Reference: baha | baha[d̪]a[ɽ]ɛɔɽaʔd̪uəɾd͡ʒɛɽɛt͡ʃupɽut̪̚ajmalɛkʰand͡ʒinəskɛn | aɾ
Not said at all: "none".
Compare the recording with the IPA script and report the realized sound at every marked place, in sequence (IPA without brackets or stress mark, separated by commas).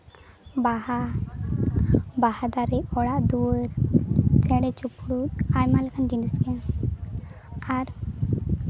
d̪, ɾ